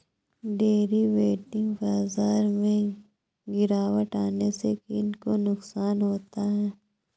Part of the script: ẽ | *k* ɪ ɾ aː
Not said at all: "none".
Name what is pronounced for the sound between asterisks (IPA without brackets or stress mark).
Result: ɡ